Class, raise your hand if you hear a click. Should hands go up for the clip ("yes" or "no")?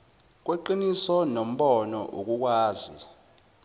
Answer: yes